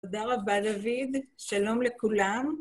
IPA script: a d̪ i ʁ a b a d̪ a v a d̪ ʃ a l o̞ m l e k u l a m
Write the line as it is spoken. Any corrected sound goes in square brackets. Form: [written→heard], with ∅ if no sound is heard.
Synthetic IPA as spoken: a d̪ [i→a] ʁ a b a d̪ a v [a→i] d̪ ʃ a l o̞ m l e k u l a m